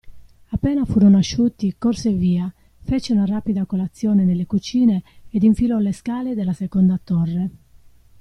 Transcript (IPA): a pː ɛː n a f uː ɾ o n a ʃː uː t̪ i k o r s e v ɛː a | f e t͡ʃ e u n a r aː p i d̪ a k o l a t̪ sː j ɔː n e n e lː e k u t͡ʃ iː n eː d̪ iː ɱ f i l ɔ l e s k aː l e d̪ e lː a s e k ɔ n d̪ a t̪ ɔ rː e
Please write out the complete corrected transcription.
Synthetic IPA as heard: a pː ɛː n a f uː ɾ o n a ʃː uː t̪ i k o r s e v iː a | f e t͡ʃ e u n a r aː p i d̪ a k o l a t̪ sː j ɔː n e n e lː e k u t͡ʃ iː n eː d̪ i ɱ f i l ɔ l e s k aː l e d̪ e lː a s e k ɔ n d̪ a t̪ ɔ rː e